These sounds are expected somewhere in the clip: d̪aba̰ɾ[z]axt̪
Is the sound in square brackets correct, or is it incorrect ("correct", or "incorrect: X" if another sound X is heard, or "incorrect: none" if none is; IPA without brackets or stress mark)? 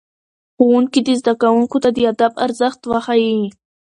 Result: correct